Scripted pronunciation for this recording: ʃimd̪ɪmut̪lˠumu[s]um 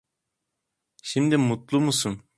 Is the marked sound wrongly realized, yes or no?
no